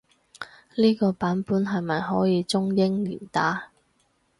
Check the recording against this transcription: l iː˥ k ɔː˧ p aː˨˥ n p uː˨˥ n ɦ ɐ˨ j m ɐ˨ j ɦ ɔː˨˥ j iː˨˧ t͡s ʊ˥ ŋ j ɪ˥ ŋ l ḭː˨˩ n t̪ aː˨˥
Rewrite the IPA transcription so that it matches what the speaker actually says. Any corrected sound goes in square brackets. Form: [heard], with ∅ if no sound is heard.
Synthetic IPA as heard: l iː˥ k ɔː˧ p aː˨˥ n p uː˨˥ n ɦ ɐ˨ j m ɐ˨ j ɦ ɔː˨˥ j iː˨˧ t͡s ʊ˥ ŋ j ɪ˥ ŋ l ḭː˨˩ n t̪ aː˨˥